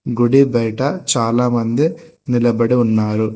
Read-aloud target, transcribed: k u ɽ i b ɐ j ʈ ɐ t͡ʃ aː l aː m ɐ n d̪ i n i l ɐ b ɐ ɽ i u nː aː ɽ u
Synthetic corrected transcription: ɡ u ɽ i b ɐ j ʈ ɐ t͡ʃ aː l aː m ɐ n d̪ i n i l ɐ b ɐ ɽ i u nː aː ɾ u